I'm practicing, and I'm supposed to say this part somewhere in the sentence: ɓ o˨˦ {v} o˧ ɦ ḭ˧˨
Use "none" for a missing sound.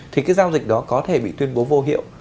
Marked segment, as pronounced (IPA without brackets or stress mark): v